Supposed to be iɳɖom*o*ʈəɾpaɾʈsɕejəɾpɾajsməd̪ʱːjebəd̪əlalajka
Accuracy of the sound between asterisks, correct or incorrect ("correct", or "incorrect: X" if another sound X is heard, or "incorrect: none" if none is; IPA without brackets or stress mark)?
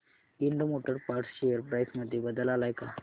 correct